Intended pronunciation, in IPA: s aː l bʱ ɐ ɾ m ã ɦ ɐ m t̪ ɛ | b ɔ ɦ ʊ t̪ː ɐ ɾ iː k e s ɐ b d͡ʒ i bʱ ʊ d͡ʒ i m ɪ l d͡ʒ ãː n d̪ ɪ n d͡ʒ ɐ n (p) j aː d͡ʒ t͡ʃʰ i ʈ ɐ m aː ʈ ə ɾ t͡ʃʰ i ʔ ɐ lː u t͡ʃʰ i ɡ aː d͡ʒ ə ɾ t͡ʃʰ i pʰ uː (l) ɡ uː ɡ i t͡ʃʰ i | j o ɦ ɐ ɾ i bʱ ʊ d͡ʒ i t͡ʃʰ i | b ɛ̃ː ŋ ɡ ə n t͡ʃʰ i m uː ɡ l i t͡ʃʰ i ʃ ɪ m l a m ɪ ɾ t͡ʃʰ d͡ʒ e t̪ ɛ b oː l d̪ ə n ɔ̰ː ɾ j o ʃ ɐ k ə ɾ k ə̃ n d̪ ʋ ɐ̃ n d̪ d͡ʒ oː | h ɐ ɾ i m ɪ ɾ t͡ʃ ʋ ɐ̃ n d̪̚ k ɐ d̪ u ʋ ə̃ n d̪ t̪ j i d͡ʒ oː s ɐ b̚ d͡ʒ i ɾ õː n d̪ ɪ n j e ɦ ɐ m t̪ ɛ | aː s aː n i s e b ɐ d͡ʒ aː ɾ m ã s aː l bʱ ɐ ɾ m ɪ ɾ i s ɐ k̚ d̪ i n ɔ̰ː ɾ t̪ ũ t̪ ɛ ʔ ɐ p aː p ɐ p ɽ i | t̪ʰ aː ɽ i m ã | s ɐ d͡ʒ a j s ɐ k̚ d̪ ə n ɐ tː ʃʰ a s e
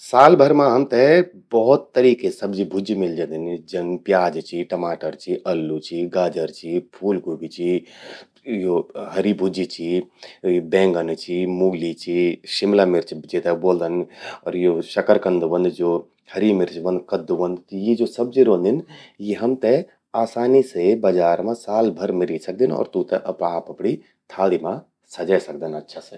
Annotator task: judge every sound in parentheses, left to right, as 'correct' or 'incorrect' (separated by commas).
correct, correct